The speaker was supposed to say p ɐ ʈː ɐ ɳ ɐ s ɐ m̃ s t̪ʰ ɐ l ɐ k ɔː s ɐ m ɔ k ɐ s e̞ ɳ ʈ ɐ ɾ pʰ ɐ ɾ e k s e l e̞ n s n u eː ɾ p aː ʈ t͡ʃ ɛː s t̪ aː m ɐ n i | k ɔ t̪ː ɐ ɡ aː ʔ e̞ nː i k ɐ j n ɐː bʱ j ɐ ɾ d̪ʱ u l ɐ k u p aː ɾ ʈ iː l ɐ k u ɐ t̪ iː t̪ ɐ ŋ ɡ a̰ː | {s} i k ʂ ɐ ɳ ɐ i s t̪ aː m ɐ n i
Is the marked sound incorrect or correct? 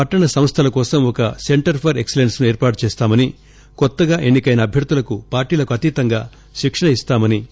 incorrect